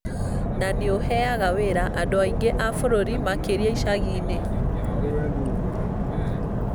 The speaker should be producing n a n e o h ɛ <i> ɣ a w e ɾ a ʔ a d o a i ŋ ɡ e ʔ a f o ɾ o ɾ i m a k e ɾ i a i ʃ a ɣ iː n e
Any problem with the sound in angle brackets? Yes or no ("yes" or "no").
yes